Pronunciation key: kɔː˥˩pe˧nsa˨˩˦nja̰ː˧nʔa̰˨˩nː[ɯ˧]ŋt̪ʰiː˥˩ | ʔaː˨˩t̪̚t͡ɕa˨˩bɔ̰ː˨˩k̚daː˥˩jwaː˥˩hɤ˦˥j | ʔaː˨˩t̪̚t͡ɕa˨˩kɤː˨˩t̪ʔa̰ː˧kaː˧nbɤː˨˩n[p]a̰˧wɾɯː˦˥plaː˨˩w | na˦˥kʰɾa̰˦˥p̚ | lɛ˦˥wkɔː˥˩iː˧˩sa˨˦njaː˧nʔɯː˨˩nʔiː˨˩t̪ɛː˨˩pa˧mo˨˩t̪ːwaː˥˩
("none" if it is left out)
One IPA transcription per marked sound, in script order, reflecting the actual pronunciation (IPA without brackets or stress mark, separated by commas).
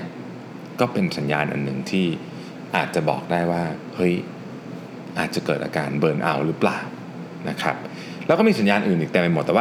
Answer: ɯ˨˩, ʔ